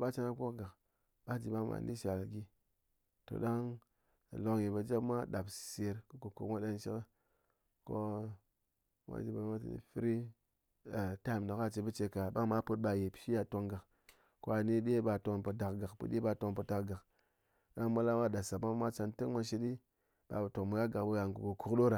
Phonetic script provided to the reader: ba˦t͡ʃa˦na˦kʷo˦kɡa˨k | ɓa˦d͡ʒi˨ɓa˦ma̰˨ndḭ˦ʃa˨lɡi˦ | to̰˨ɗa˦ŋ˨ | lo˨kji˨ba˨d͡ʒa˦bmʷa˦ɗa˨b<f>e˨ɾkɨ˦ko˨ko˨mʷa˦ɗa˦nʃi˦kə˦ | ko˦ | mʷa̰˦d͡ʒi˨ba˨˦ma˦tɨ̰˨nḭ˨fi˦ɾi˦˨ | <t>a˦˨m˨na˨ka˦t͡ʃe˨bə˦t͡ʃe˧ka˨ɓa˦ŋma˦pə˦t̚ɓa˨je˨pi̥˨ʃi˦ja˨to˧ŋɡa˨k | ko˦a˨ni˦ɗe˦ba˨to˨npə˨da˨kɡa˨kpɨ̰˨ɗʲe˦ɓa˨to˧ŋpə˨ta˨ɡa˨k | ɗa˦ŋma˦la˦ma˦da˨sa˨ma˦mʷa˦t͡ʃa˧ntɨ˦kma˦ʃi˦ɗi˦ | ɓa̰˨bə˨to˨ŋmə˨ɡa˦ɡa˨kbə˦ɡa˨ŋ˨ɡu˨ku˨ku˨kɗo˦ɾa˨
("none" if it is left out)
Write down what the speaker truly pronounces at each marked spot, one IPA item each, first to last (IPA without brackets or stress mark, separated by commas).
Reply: s, t